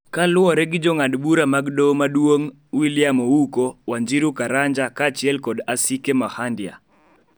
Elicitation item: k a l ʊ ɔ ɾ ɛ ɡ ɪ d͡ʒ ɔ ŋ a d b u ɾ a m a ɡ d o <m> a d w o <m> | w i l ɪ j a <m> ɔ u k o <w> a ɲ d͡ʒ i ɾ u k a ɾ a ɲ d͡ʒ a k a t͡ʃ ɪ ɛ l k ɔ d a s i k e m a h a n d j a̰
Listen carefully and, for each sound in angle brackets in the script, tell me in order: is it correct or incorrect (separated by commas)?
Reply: correct, incorrect, correct, correct